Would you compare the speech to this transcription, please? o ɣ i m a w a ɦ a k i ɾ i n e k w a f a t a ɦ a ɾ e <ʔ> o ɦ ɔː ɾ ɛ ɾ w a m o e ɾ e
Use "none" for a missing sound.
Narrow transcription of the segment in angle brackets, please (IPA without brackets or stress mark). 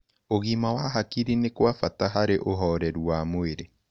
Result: ʔ